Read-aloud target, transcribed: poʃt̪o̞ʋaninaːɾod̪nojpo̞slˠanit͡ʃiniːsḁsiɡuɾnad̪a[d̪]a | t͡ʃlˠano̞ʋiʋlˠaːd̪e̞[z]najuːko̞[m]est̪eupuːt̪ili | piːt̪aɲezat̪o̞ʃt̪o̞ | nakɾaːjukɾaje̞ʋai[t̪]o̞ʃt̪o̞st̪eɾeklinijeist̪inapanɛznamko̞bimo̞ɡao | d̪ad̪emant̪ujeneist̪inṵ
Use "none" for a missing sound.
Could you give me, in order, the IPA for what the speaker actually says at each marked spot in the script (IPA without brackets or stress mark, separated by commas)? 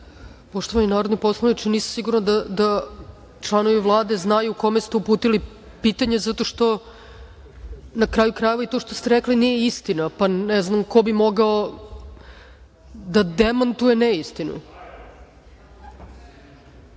d̪, z, m, t̪